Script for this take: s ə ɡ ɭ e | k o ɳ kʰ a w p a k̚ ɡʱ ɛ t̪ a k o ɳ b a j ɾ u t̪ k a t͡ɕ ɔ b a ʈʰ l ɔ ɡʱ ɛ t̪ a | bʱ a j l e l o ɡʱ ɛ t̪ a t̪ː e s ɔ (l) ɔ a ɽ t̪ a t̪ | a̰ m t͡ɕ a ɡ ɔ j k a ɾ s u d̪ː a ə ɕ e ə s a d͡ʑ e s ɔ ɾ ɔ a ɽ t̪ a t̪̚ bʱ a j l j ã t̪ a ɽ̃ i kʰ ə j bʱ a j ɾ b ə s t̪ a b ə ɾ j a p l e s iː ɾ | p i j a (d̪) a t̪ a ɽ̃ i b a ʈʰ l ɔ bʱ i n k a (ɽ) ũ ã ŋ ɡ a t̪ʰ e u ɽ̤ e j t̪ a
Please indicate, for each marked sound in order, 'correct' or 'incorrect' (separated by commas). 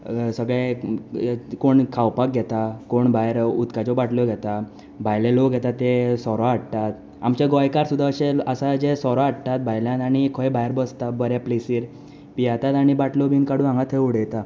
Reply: incorrect, incorrect, correct